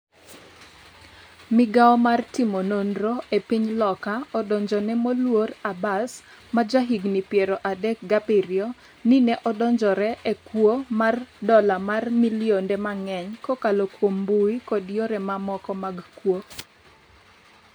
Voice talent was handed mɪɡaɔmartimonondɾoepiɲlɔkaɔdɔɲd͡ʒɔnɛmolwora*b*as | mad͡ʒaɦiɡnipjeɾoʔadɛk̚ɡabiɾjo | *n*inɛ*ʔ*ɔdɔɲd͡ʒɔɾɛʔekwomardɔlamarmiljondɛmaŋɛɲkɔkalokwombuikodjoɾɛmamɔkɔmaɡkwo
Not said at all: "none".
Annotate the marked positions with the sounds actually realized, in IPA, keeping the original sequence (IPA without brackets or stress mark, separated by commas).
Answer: b, n, ʔ